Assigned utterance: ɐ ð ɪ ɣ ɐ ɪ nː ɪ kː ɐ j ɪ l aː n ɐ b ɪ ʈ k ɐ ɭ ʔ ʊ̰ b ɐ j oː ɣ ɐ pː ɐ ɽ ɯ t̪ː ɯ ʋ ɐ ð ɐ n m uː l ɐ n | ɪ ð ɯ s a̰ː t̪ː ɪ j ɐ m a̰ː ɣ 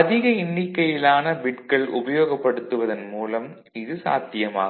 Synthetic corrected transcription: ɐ ð ɪ ɣ ɐ ɪ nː ɪ kː ɐ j ɪ l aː n ɐ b ɪ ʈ k ɐ ɭ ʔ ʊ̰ b ɐ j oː ɣ ɐ pː ɐ ɽ ɯ t̪ː ɯ ʋ ɐ ð ɐ n m uː l ɐ m | ɪ ð ɯ s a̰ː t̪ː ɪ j ɐ m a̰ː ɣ